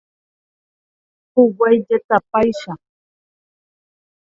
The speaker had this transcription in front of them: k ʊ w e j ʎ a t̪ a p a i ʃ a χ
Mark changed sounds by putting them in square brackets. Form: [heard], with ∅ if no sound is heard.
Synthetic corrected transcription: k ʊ w [a] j ʎ a t̪ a p a [j] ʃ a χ

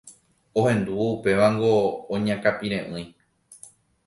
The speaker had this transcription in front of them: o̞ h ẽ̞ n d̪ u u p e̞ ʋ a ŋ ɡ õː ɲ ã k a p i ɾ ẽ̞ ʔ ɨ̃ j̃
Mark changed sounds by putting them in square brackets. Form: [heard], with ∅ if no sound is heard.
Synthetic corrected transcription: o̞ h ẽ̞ n d̪ u u p e̞ ʋ a ŋ ɡ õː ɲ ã k a p i ɾ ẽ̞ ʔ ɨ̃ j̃

